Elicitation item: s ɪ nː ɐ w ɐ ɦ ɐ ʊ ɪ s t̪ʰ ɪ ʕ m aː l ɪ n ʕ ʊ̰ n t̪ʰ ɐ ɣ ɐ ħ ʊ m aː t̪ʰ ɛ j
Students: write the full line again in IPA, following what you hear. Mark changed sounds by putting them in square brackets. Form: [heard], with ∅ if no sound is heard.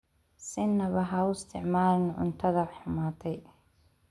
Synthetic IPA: s ɪ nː ɐ [β] ɐ ɦ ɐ ʊ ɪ s t̪ʰ ɪ ʕ m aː l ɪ n ʕ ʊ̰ n t̪ʰ ɐ [ð] ɐ ħ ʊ m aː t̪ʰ ɛ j